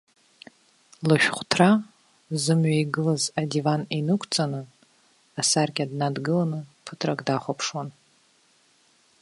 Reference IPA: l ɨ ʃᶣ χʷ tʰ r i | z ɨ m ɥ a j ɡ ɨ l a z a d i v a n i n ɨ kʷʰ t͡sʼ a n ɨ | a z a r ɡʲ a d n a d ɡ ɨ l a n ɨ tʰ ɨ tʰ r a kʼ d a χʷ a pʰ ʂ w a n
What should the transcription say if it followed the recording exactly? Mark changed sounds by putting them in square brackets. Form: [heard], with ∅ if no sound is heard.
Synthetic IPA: l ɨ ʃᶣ χʷ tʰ r [a] | z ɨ m ɥ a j ɡ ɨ l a z a d i v a n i n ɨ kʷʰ t͡sʼ a n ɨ | a [s] a r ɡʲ a d n a d ɡ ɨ l a n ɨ [pʰ] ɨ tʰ r a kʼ d a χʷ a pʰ ʂ w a n